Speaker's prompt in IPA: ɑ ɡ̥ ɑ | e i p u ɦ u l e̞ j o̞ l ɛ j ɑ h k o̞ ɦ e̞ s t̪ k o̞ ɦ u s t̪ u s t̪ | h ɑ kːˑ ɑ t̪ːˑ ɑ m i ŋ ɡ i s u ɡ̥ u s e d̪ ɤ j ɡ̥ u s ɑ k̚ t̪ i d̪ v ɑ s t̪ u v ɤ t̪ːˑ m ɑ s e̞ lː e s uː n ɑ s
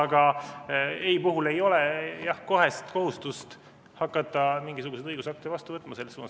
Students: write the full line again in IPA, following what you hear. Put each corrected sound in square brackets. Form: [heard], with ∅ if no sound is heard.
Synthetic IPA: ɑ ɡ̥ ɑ | e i p u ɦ u l e̞ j o̞ l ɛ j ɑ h k o̞ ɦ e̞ s t̪ k o̞ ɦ u s t̪ u s t̪ | h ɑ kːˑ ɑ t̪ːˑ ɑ m i ŋ ɡ i s u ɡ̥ u s e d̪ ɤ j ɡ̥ u s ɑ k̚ t̪ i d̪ v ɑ s t̪ u v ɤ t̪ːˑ m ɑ s e̞ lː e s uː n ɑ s